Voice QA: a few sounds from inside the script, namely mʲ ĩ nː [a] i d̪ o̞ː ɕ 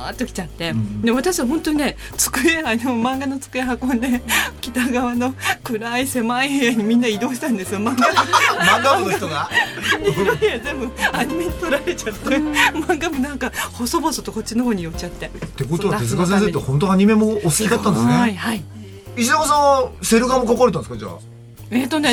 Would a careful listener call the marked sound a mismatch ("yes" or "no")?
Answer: no